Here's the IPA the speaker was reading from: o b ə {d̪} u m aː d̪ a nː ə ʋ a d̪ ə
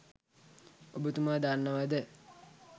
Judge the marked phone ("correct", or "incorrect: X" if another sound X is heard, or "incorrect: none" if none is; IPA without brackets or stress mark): incorrect: t̪